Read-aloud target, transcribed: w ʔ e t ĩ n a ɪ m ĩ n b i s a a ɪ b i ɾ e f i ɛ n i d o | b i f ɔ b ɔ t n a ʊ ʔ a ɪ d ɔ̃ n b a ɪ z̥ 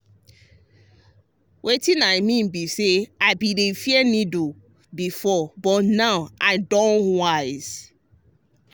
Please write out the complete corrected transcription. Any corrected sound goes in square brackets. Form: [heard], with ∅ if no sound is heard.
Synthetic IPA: w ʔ e t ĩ n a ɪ m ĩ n b i s [e] a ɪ b i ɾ e f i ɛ n i d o | b i f ɔ b ɔ t n a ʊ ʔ a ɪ d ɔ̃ n [w] a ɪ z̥